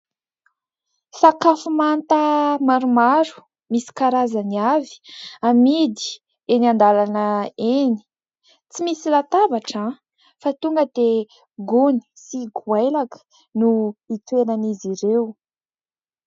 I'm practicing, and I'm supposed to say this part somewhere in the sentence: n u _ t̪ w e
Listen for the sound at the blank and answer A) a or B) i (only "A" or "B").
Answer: B